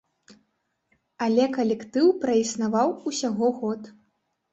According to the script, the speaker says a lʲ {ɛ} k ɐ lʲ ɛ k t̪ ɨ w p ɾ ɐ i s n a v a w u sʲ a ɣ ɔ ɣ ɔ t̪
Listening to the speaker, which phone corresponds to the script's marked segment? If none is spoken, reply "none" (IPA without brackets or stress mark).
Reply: ɛ